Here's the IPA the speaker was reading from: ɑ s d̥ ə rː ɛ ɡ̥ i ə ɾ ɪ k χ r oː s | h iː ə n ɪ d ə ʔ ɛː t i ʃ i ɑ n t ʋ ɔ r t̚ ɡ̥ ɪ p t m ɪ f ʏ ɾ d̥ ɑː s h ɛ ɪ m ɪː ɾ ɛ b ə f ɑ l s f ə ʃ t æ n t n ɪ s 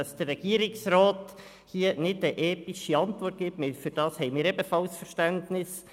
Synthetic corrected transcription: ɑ s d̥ ə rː ɛ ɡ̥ i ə ɾ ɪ k s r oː t | h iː ə n ɪ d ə ʔ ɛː t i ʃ i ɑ n t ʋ ɔ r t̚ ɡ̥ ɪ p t m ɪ f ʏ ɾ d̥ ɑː s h ɛ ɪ m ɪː ɾ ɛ b ə f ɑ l s f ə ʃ t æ n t n ɪ s